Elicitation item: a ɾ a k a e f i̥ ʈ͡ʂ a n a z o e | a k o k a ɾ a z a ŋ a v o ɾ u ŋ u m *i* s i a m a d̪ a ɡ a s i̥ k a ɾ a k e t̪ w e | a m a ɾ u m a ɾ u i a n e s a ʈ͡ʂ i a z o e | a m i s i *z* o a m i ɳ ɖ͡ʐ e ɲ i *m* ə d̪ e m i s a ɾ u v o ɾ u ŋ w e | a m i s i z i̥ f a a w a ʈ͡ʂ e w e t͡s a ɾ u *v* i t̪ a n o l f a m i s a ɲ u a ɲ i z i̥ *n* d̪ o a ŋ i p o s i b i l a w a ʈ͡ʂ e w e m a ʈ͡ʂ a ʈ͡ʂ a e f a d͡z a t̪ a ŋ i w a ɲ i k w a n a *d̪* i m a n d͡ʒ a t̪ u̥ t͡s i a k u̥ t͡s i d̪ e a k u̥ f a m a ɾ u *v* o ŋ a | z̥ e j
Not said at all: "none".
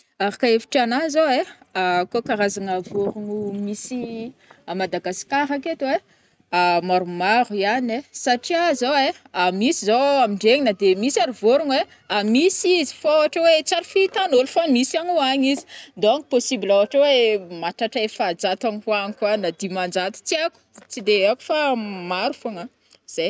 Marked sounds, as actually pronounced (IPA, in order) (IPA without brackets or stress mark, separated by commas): i, z, n, f, n, d̪, f